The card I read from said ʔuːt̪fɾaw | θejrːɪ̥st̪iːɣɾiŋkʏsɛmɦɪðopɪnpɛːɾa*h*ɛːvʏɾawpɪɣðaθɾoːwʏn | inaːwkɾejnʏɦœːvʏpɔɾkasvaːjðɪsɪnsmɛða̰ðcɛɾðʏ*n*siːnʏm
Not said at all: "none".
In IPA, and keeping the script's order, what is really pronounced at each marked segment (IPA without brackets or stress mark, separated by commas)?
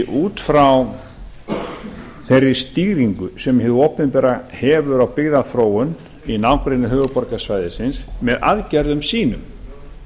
h, m